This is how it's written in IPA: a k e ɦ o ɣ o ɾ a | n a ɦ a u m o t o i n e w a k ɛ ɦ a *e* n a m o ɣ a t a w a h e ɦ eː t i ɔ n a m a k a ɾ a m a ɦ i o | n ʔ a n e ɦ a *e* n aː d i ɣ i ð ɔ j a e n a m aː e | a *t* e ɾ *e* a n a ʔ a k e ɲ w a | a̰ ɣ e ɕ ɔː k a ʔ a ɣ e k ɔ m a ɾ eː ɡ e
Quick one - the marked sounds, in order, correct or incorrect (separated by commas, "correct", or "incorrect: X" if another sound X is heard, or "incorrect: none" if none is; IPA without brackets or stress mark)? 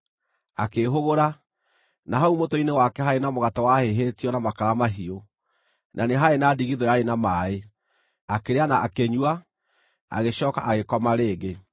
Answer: correct, correct, incorrect: k, correct